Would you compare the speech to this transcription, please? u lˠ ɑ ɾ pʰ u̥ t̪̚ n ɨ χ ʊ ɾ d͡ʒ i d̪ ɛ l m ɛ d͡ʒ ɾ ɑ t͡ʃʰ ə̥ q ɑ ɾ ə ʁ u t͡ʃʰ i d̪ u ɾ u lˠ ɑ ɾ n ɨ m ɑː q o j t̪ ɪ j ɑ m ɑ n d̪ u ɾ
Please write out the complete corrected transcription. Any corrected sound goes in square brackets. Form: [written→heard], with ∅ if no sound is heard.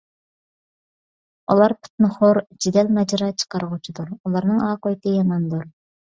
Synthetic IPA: u lˠ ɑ ɾ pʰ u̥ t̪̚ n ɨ χ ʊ ɾ d͡ʒ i d̪ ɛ l m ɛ d͡ʒ ɾ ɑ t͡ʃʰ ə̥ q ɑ ɾ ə ʁ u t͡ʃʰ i d̪ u ɾ u lˠ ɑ ɾ n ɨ [m→ŋ] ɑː q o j t̪ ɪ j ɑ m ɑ n d̪ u ɾ